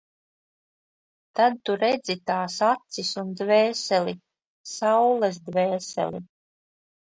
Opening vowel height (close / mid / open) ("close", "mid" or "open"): open